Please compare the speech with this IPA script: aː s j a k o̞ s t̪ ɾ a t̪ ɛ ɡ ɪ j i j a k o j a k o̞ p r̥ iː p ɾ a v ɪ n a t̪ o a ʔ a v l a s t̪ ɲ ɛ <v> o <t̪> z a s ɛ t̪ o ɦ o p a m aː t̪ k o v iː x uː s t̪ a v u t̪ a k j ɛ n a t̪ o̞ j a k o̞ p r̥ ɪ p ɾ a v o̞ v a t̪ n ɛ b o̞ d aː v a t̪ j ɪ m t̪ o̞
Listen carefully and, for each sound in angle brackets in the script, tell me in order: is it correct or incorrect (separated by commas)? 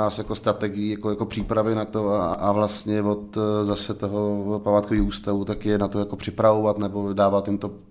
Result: correct, correct